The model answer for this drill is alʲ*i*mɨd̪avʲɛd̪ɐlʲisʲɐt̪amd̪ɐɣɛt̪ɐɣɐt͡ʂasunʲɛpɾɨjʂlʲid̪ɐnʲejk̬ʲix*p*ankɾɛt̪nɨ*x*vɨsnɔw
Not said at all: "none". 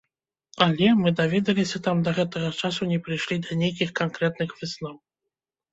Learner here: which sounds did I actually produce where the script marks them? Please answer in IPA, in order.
ɛ, k, x

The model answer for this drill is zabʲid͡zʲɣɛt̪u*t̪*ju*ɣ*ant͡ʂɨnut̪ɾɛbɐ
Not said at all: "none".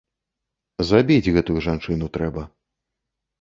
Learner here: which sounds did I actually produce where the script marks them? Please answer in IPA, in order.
none, ʐ

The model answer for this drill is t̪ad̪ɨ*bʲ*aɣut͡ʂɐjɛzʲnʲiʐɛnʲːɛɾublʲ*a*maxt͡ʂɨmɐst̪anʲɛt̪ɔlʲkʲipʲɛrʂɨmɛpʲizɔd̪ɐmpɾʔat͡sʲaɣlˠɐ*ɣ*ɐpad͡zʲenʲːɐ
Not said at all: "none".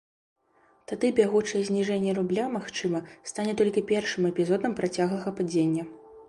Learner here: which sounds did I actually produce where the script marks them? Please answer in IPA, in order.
bʲ, a, ɣ

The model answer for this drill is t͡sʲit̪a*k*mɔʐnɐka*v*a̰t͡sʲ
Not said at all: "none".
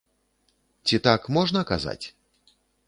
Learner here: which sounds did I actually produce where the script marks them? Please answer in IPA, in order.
k, z

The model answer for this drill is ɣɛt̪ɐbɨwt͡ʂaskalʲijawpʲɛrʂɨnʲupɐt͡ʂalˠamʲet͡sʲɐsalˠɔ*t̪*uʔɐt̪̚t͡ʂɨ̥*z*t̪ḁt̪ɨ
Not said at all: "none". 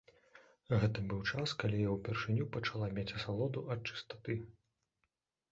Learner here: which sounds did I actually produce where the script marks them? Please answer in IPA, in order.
d̪, s

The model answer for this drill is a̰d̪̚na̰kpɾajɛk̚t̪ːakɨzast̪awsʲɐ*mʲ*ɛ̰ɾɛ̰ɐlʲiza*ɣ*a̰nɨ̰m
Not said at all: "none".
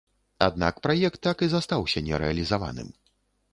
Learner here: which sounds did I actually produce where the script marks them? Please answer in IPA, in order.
nʲ, v

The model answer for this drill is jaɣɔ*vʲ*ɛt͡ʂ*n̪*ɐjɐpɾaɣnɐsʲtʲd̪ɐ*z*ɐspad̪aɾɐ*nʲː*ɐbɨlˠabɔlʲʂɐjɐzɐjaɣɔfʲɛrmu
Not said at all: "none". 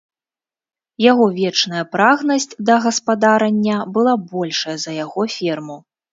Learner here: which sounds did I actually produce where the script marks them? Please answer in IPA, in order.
vʲ, n̪, ɣ, nʲː

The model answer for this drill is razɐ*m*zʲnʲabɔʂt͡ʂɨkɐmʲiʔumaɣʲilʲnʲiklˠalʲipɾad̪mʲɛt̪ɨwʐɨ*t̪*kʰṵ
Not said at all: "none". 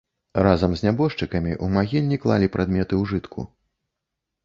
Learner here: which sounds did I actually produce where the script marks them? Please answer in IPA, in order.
m, t̪

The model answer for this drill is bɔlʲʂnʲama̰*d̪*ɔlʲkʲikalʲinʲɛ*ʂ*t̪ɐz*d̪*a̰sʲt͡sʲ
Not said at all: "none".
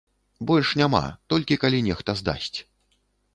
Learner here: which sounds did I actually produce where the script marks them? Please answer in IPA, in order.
t̪, x, d̪

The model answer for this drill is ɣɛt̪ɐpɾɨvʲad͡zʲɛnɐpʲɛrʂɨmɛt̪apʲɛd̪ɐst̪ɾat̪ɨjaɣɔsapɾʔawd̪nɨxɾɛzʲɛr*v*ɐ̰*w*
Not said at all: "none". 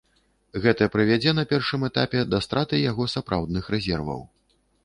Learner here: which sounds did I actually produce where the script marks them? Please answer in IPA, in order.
v, w

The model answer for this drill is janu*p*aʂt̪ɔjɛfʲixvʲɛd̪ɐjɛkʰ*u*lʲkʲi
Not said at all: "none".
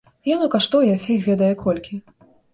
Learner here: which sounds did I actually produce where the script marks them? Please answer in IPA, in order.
k, ɔ

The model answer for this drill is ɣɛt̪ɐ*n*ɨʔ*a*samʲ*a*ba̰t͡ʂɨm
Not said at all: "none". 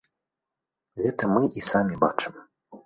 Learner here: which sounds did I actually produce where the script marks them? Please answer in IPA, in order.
m, i, i

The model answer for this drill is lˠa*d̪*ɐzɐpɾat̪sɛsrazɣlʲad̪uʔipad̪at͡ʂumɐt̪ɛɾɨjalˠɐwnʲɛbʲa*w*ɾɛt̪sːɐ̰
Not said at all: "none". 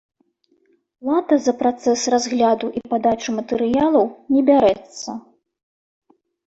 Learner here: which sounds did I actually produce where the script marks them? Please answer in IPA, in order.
t̪, none

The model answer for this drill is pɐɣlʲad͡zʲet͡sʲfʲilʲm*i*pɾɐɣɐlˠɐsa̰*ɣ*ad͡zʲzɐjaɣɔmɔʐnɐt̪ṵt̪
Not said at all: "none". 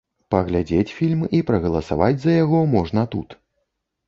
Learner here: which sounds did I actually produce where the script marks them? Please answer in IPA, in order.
i, v

